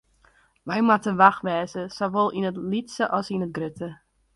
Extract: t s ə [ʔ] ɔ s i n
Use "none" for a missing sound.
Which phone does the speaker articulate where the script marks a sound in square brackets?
ʔ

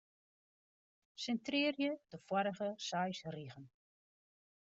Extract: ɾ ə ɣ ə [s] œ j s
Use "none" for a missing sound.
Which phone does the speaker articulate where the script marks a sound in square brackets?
s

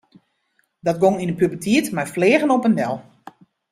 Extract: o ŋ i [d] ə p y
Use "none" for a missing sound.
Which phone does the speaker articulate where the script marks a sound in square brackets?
n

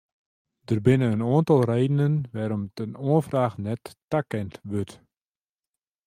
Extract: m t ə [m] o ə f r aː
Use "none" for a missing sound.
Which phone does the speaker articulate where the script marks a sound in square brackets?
n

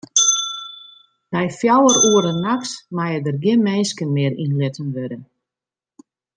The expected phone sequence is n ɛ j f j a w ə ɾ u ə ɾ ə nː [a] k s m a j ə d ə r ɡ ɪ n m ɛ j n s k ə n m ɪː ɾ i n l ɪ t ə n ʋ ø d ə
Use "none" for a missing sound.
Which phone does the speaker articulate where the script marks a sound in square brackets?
a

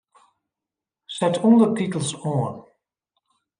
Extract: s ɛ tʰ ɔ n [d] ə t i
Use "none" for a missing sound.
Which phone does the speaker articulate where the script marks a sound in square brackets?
d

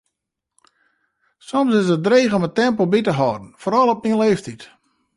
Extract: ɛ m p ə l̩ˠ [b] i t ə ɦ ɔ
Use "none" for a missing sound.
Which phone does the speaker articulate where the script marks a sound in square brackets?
b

